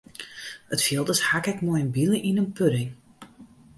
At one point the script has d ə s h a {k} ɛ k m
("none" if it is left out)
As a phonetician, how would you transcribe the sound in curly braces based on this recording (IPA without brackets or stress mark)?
k